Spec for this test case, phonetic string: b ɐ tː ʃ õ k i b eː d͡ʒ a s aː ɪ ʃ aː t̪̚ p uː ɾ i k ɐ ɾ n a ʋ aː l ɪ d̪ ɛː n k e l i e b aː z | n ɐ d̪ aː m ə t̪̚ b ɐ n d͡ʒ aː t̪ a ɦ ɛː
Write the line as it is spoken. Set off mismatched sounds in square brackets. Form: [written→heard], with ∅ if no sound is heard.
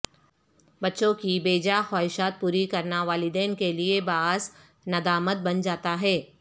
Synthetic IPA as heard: b ɐ tː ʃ õ k i b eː d͡ʒ a [s→x] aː ɪ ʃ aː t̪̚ p uː ɾ i k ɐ ɾ n a ʋ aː l ɪ d̪ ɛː n k e l i e b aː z | n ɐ d̪ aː m ə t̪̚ b ɐ n d͡ʒ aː t̪ a ɦ ɛː

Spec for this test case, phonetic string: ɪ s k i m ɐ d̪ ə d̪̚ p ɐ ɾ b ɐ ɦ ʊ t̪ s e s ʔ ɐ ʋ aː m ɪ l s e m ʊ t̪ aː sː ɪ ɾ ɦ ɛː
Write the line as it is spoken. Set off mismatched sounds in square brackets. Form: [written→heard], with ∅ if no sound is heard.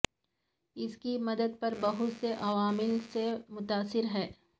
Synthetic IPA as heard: ɪ s k i m ɐ d̪ ə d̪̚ p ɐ ɾ b ɐ ɦ ʊ t̪ s e [s→∅] ʔ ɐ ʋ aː m ɪ l s e m ʊ t̪ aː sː ɪ ɾ ɦ ɛː

